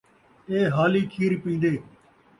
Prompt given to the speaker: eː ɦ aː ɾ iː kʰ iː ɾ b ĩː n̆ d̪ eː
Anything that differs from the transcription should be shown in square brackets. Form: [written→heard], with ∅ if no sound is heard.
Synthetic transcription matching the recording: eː ɦ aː [ɾ→l] iː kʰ iː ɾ [b→p] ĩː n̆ d̪ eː